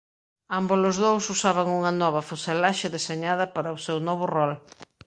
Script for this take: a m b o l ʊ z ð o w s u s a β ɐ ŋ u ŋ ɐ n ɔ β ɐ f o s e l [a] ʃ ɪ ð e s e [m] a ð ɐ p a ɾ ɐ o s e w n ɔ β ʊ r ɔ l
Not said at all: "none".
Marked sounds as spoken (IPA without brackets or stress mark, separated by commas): a, ɲ